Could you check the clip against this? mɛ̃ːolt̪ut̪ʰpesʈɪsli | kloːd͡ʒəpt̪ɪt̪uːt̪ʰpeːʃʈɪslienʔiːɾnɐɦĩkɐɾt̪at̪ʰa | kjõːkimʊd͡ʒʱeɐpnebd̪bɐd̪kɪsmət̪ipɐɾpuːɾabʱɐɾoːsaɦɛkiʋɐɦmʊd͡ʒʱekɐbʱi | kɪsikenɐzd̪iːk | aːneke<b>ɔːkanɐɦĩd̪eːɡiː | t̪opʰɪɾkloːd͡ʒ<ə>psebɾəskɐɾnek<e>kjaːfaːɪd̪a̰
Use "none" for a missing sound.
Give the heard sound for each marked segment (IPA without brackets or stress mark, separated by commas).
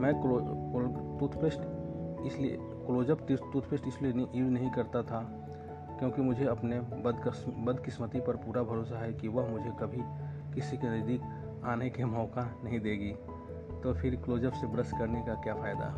m, ə, a